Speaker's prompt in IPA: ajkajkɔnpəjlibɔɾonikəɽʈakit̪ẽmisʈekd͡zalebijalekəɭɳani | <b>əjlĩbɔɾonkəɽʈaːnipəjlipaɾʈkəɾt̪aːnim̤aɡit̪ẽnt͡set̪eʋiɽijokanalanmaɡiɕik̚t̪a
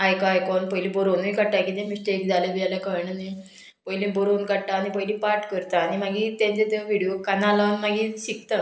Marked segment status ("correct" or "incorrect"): incorrect